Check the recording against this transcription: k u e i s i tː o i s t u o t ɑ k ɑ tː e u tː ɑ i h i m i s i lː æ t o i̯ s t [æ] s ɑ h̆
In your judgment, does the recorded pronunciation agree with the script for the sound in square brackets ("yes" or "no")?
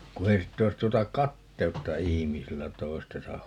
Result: no